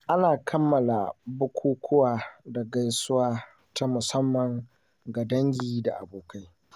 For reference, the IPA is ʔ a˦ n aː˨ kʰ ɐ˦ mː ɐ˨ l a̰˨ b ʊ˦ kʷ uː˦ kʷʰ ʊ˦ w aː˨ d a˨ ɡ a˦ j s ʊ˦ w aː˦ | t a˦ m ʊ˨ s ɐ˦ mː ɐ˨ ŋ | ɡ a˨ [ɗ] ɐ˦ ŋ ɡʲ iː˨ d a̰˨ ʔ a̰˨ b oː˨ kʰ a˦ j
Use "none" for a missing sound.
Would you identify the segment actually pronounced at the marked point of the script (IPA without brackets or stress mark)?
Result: d